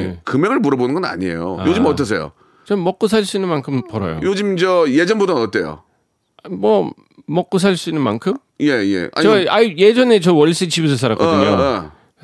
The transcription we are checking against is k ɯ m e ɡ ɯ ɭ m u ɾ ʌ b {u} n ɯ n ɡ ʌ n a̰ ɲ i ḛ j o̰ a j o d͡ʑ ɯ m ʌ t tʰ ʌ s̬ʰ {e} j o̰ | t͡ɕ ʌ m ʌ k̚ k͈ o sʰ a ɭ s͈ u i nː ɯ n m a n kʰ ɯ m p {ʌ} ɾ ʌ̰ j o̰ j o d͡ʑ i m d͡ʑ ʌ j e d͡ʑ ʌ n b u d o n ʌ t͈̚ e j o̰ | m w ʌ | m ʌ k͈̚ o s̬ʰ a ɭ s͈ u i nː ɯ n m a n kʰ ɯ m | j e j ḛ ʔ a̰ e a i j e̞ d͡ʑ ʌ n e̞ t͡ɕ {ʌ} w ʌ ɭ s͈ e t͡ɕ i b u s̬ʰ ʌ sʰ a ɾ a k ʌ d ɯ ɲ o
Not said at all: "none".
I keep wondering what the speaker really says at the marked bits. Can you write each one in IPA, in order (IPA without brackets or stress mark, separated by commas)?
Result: o, e, ʌ, ʌ